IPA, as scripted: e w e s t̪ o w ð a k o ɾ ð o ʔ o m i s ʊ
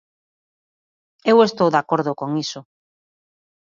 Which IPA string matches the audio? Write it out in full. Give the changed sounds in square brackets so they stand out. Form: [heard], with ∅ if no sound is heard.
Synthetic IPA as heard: e w e s t̪ o w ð a k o ɾ ð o [k] o [ŋ] i s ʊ